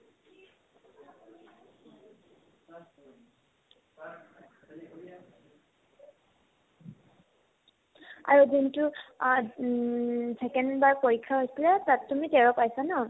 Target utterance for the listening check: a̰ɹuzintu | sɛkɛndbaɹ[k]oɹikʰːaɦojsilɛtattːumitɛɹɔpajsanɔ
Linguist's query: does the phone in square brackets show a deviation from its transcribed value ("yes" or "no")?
yes